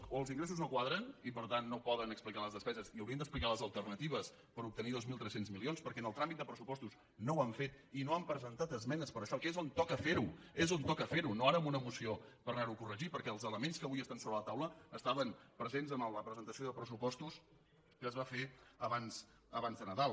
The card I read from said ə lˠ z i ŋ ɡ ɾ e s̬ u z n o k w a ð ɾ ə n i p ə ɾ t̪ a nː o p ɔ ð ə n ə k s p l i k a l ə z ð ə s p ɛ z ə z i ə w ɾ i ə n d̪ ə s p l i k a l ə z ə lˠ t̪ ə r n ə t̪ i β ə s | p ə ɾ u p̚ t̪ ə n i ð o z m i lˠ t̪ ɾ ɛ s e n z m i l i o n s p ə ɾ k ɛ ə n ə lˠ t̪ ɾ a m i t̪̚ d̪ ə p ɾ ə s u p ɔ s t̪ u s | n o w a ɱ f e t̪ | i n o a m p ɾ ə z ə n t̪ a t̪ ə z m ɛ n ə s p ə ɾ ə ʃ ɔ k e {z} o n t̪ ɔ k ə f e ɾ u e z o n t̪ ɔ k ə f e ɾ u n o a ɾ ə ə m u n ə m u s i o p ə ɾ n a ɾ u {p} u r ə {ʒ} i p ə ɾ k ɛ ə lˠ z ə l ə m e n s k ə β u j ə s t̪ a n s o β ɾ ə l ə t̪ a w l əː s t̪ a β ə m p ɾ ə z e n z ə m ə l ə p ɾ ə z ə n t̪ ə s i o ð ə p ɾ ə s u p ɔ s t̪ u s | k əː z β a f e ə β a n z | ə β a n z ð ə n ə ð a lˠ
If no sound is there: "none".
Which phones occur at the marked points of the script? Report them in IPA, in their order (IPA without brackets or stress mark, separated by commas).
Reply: z, k, ʒ